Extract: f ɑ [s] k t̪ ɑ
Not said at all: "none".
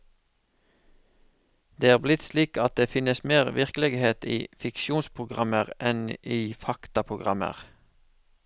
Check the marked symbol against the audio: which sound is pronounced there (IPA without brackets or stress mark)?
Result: none